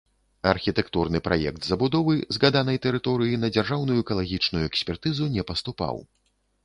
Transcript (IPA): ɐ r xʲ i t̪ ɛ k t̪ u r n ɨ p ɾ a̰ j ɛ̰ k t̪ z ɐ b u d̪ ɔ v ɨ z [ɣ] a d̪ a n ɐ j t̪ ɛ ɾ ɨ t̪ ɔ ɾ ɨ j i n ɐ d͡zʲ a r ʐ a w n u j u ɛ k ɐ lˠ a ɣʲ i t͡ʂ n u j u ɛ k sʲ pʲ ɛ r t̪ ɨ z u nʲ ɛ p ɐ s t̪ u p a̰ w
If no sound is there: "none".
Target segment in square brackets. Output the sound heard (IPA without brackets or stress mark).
ɣ